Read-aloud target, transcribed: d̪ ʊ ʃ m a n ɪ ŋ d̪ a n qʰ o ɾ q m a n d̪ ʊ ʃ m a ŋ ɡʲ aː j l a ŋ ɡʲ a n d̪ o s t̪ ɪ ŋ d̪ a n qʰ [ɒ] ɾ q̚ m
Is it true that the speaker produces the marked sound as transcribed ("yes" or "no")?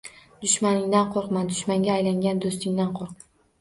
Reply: no